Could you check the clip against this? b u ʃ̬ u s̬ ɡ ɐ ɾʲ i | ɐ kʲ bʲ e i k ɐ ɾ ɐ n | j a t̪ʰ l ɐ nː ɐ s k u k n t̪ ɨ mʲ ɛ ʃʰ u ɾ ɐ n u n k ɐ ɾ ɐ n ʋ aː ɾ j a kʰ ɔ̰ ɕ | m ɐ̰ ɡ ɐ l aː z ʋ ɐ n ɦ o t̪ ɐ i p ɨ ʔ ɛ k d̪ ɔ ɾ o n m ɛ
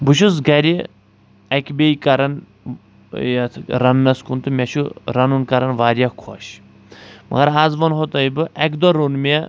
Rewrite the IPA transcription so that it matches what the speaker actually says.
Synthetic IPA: b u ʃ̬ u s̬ ɡ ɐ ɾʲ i | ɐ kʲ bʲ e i k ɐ ɾ ɐ n | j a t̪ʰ ɾ ɐ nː ɐ s k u n t̪ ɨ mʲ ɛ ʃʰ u ɾ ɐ n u n k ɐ ɾ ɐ n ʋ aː ɾ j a kʰ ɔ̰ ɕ | m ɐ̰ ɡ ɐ ɾ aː z ʋ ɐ n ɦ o t̪ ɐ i b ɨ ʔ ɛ k d̪ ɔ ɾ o n m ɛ